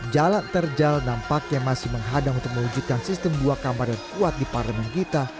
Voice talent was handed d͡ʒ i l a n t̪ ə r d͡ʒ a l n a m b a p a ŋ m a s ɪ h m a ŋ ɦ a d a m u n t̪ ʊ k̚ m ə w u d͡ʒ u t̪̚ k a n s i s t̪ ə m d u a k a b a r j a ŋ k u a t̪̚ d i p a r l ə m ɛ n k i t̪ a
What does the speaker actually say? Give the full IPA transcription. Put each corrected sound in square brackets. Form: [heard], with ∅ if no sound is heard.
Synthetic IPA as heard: d͡ʒ [a] l a n t̪ ə r d͡ʒ a l n a m [p] a [k] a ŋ m a s ɪ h m [ə] ŋ ɦ a d a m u n t̪ ʊ k̚ m ə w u d͡ʒ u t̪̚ k a n s i s t̪ ə m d u a k a [m] a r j a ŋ k u a t̪̚ d i p a r l ə m ɛ n k i t̪ a

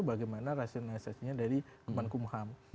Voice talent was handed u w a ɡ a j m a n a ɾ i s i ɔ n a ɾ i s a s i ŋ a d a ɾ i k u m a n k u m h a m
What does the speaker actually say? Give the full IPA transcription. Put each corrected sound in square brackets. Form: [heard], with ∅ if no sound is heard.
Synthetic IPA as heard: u [b] a ɡ a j m a n a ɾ [a] s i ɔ n a [l] i s a s i [ɲ] a d a ɾ i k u m a n k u m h a m

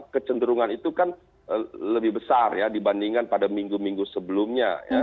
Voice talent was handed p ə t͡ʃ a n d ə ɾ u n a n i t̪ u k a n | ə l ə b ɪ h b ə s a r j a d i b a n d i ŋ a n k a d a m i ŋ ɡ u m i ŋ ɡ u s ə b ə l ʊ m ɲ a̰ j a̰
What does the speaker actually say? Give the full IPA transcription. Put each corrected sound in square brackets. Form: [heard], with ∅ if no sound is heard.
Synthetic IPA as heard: [k] ə t͡ʃ [ə] n d ə ɾ u [ŋ] a n i t̪ u k a n | ə l ə b ɪ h b ə s a r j a d i b a n d i ŋ a n [p] a d a m i ŋ ɡ u m i ŋ ɡ u s ə b ə l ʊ m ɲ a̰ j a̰

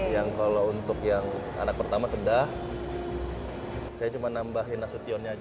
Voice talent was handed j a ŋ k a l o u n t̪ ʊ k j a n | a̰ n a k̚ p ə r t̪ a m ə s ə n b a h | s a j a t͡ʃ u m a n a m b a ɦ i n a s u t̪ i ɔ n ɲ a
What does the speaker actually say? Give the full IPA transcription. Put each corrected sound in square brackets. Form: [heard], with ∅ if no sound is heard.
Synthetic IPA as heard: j a ŋ k a l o u n t̪ ʊ k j a [ŋ] | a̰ n a k̚ p ə r t̪ a m [a] s ə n [d] a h | s a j a t͡ʃ u m a n a m b a ɦ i n a s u t̪ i ɔ n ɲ a

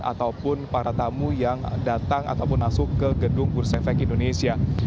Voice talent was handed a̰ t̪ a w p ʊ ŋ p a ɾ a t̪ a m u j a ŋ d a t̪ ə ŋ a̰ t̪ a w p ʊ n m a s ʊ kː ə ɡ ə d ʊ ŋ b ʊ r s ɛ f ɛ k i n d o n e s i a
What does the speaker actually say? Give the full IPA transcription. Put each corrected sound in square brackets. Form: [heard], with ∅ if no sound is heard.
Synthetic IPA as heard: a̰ t̪ a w p ʊ [n] p a ɾ a t̪ a m u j a ŋ d a t̪ [a] ŋ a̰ t̪ a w p ʊ n m a s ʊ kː ə ɡ ə d ʊ ŋ b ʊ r s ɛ f ɛ k i n d o n e s i a

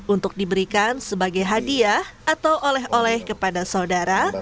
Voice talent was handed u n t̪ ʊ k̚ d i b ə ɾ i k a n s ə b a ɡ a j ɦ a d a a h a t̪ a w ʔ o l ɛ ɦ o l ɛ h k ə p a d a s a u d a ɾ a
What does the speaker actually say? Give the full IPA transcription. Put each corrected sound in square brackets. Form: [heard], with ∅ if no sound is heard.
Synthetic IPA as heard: u n t̪ ʊ k̚ d i b ə ɾ i k a n s ə b a ɡ a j ɦ a d [i] a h a t̪ a w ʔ o l ɛ ɦ o l ɛ h k ə p a d a s a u d a ɾ a

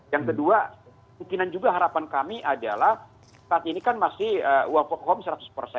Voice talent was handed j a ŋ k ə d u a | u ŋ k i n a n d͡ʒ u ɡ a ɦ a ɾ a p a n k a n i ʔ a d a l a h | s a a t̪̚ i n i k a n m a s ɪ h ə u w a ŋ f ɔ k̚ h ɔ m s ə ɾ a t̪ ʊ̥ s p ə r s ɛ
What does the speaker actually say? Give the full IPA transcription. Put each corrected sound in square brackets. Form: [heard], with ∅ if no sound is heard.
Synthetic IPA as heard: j a ŋ k ə d u a | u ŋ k i n a n d͡ʒ u ɡ a ɦ a ɾ a p a n k a [m] i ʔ a d a l a h | s a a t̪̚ i n i k a n m a s ɪ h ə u w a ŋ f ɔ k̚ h ɔ m s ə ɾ a t̪ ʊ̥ s p ə r s ɛ

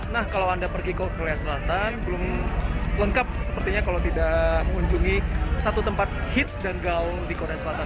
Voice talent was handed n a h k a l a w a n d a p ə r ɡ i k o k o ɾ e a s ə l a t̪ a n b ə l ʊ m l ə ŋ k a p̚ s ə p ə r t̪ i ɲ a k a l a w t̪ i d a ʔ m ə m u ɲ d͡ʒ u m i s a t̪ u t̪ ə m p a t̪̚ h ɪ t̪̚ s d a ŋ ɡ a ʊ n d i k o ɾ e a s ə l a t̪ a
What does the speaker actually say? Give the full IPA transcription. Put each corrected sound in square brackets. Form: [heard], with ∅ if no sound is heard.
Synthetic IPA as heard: n a h k a l a w a n d a p ə r ɡ i k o k o ɾ e a s ə l a t̪ a n b ə l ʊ m l ə ŋ k a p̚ s ə p ə r t̪ i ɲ a k a l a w t̪ i d a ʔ m ə [ŋ] u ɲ d͡ʒ u [ŋ] i s a t̪ u t̪ ə m p a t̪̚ h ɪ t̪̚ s d a [n] ɡ a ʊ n d i k o ɾ e a s ə l a t̪ a

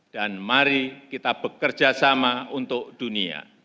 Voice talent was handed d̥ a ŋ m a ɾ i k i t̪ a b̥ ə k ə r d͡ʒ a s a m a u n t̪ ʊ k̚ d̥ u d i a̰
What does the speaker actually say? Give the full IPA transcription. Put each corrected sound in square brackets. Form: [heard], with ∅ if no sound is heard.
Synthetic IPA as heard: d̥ a [n] m a ɾ i k i t̪ a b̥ ə k ə r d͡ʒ a s a m a u n t̪ ʊ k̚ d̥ u [n] i a̰

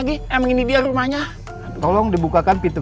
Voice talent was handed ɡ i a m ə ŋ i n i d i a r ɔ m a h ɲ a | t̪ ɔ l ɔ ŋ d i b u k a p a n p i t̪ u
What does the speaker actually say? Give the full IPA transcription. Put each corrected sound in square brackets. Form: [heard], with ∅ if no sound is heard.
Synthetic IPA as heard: ɡ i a m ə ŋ i n i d i a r [u] m a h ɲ a | t̪ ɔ l ɔ ŋ d i b u k a [k] a n p i t̪ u

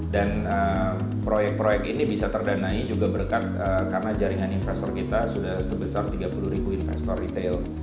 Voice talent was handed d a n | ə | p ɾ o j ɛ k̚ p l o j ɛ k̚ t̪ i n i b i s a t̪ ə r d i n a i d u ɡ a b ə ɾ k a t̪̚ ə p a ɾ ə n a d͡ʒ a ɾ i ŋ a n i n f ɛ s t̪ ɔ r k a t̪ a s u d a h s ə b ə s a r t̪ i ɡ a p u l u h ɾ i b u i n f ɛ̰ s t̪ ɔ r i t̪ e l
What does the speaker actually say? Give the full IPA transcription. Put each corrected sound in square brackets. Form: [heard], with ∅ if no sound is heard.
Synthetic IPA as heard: d a n | ə | p ɾ o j ɛ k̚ p [ɾ] o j ɛ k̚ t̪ i n i b i s a t̪ ə r d [a] n a i [d͡ʒ] u ɡ a b ə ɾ k a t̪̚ ə [k] a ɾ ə n a d͡ʒ a ɾ i ŋ a n i n f ɛ s t̪ ɔ r k [i] t̪ a s u d a h s ə b ə s a r t̪ i ɡ a p u l u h ɾ i b u i n f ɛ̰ s t̪ ɔ r i t̪ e l

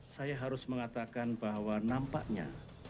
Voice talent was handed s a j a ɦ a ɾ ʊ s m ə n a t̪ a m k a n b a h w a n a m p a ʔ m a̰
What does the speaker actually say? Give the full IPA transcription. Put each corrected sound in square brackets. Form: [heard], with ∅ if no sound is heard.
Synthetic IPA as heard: s a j a ɦ a ɾ ʊ s m ə [ŋ] a t̪ a [∅] k a n b a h w a n a m p a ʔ [ɲ] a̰

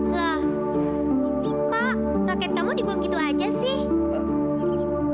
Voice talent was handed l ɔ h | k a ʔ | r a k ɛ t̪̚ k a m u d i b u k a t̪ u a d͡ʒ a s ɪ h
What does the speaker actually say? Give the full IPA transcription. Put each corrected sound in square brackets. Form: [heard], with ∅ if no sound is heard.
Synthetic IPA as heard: l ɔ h | k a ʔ | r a k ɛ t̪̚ k a m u d i b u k [i] t̪ u a d͡ʒ a s ɪ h

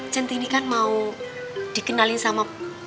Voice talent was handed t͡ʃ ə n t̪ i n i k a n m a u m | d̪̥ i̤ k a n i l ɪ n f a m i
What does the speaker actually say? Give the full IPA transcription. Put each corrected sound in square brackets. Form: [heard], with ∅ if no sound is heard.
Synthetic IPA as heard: t͡ʃ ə n t̪ i n i k a n m a u [∅] | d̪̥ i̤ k [ə] n [a] l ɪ n [s] a m [a]

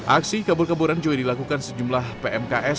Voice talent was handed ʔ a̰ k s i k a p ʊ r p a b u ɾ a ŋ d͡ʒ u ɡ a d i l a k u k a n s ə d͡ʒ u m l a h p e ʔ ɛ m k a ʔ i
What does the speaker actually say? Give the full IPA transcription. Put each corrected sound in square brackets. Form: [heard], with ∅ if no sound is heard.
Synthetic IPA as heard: ʔ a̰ k s i k a [b] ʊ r [k] a b u ɾ a [n] d͡ʒ u ɡ a d i l a k u k a n s ə d͡ʒ u m l a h p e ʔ ɛ m k a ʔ [ɛ]

